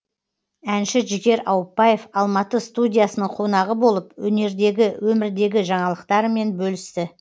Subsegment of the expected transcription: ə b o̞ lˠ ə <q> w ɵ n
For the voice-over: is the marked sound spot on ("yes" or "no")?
no